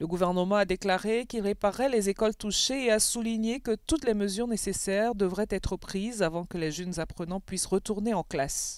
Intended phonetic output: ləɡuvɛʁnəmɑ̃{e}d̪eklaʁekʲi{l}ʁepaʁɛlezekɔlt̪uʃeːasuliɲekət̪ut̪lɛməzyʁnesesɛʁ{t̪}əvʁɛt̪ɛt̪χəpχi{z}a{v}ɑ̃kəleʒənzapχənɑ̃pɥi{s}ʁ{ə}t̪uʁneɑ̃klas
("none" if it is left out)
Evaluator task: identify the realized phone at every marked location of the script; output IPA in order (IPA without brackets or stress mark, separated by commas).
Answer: a, l, d̪, z, v, s, ə